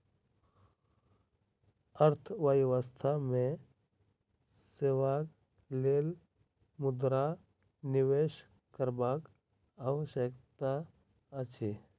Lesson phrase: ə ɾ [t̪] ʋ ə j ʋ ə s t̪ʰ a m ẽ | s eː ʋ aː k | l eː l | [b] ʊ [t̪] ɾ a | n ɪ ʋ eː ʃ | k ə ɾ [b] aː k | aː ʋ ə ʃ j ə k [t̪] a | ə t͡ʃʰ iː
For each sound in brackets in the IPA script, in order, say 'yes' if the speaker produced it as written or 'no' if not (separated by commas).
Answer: no, no, no, yes, yes